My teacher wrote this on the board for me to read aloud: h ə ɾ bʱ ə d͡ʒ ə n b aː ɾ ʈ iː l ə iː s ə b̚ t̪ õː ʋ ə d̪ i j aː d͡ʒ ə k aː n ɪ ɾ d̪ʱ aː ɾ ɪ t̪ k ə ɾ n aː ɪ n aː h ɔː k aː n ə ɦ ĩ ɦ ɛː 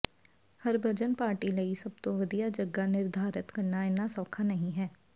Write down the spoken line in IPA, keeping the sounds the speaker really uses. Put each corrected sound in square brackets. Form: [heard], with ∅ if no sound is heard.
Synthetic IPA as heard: h ə ɾ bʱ ə d͡ʒ ə n [p] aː ɾ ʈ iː l ə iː s ə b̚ t̪ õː ʋ ə d̪ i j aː d͡ʒ ə [ɡ] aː n ɪ ɾ d̪ʱ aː ɾ ɪ t̪ k ə ɾ n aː ɪ n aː [s] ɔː [kʰ] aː n ə ɦ ĩ ɦ ɛː

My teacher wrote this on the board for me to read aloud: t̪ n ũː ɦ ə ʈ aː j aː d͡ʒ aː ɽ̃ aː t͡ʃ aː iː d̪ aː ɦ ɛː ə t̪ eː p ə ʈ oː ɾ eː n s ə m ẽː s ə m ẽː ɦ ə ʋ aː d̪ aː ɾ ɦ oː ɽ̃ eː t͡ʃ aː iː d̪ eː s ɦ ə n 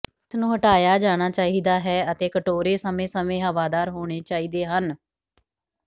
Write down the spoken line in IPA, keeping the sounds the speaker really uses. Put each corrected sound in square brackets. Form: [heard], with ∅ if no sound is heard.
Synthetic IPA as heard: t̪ n ũː ɦ ə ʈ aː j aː d͡ʒ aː ɽ̃ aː t͡ʃ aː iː d̪ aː ɦ ɛː ə t̪ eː [k] ə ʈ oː ɾ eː [∅] s ə m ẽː s ə m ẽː ɦ ə ʋ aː d̪ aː ɾ ɦ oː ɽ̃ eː t͡ʃ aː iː d̪ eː [∅] ɦ ə n

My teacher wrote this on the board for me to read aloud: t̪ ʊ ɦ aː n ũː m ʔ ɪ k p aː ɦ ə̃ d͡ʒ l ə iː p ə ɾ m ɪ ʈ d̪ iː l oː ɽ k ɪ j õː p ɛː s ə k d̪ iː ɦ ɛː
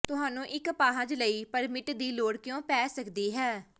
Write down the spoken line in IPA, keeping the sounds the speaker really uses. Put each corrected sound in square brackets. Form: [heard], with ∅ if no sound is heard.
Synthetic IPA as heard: t̪ ʊ ɦ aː n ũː [∅] ʔ ɪ k p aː ɦ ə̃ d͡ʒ l ə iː p ə ɾ m ɪ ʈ d̪ iː l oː ɽ k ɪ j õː p ɛː s ə k d̪ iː ɦ ɛː

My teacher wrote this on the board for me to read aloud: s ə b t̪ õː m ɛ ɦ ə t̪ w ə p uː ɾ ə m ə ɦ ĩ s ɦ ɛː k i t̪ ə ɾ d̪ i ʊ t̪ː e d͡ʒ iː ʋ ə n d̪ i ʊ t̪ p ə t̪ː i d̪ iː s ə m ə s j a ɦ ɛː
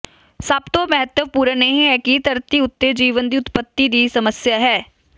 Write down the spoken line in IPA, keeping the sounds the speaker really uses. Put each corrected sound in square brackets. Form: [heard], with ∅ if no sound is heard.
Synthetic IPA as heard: s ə b t̪ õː m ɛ ɦ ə t̪ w ə p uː ɾ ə [n] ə ɦ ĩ [∅] ɦ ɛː k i t̪ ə ɾ [t̪] i ʊ t̪ː e d͡ʒ iː ʋ ə n d̪ i ʊ t̪ p ə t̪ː i d̪ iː s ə m ə s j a ɦ ɛː

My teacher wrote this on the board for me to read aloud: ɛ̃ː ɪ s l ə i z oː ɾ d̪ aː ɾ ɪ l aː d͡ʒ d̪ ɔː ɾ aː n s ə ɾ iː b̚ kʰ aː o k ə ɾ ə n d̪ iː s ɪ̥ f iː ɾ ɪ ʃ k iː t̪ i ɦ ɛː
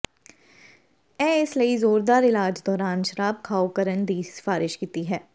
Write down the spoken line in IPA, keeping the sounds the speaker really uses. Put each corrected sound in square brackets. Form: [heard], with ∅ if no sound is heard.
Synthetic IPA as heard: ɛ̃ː ɪ s l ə i z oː ɾ d̪ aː ɾ ɪ l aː d͡ʒ d̪ ɔː ɾ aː n [ʃ] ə ɾ [aː] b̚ kʰ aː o k ə ɾ ə n d̪ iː s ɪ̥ f [aː] ɾ ɪ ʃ k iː t̪ i ɦ ɛː

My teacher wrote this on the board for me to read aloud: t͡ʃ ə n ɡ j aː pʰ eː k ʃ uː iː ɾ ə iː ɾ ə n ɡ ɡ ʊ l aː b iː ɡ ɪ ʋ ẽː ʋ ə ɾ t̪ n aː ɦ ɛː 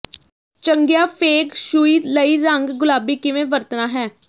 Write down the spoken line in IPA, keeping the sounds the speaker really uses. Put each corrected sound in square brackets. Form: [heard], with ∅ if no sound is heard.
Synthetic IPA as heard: t͡ʃ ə [ŋ] ɡ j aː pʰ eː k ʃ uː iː [l] ə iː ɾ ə [ŋ] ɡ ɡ ʊ l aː b iː [k] ɪ ʋ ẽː ʋ ə ɾ t̪ n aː ɦ ɛː

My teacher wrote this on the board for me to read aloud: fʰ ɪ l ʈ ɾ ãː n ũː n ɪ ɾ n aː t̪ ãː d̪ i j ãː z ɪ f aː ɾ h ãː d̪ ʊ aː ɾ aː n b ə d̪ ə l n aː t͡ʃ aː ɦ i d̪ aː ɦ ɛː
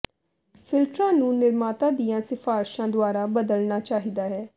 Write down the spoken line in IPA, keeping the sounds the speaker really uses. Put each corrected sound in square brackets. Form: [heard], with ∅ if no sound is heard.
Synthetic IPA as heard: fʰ ɪ l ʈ ɾ ãː n ũː n ɪ ɾ [m] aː t̪ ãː d̪ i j ãː [s] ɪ f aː ɾ [ʃ] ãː d̪ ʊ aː ɾ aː [∅] b ə d̪ ə l n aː t͡ʃ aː ɦ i d̪ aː ɦ ɛː

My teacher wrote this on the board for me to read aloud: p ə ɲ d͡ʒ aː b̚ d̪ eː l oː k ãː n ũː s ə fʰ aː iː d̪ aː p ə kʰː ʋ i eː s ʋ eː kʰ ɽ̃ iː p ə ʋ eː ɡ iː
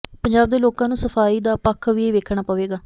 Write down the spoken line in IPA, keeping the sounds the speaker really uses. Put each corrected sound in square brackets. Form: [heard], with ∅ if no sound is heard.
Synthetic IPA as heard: p ə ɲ d͡ʒ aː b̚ d̪ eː l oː k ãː n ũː s ə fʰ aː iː d̪ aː p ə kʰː ʋ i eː [∅] ʋ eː kʰ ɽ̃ [aː] p ə ʋ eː ɡ [aː]

